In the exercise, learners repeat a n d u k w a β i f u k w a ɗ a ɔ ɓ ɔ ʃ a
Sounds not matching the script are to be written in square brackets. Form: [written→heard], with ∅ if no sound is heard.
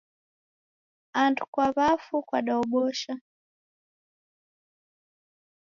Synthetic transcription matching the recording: a n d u k w a β [i→a] f u k w a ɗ a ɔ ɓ ɔ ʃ a